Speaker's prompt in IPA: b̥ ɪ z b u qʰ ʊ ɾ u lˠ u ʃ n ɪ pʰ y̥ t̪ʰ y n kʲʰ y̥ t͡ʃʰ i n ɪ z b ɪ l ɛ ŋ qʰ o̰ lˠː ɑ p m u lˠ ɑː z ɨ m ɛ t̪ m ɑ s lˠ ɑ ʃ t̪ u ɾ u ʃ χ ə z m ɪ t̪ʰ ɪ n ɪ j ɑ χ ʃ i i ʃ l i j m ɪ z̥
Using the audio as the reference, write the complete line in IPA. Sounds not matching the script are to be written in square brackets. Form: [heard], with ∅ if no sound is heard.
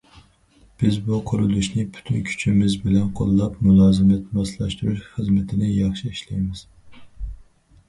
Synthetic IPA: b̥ ɪ z b u qʰ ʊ ɾ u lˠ u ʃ n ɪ pʰ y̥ t̪ʰ y n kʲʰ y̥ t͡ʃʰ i [m] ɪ z b ɪ l ɛ [n] qʰ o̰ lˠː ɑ p m u lˠ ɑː z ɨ m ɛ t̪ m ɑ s lˠ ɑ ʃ t̪ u ɾ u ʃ χ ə z m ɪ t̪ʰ ɪ n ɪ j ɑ χ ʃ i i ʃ l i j m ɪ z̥